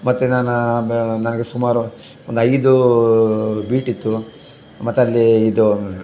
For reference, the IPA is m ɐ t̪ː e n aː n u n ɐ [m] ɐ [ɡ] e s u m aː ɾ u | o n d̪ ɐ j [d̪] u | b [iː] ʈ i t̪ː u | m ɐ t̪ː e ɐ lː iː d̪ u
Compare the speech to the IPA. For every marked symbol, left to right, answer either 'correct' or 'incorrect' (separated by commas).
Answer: incorrect, correct, correct, correct